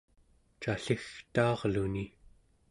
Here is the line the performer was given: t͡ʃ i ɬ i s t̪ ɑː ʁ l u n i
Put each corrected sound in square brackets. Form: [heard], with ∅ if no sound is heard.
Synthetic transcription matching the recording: t͡ʃ [a] ɬ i [x] t̪ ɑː ʁ l u n i